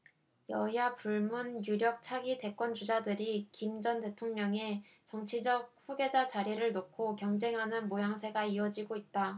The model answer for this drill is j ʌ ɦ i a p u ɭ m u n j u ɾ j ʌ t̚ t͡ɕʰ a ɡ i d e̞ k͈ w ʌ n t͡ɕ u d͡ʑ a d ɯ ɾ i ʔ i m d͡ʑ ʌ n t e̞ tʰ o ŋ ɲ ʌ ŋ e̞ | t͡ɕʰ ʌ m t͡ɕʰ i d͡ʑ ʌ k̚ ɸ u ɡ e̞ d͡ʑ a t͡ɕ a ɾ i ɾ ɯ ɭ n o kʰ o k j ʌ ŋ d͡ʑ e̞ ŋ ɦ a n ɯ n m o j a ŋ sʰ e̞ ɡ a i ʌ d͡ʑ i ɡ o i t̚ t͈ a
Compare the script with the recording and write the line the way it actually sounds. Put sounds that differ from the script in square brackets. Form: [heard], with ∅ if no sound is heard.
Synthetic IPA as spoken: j ʌ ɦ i a p u ɭ m u n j u ɾ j ʌ [k̚] t͡ɕʰ a ɡ i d e̞ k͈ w ʌ n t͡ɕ u d͡ʑ a d ɯ ɾ i [k] i m d͡ʑ ʌ n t e̞ tʰ o ŋ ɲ ʌ ŋ e̞ | [t͡ɕ] ʌ [ŋ] t͡ɕʰ i d͡ʑ ʌ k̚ ɸ u ɡ e̞ d͡ʑ a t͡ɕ a ɾ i ɾ ɯ ɭ n o kʰ o k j ʌ ŋ d͡ʑ e̞ ŋ ɦ a n ɯ n m o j a ŋ sʰ e̞ ɡ a i ʌ d͡ʑ i ɡ o i t̚ t͈ a